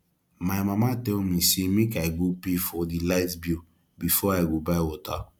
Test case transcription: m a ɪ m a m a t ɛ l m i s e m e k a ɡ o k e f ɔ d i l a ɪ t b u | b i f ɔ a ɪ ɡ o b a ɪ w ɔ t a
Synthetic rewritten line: m a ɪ m a m a t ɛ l m i s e m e k a ɡ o p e f ɔ d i l a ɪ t b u | b i f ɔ a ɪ ɡ o b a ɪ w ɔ t a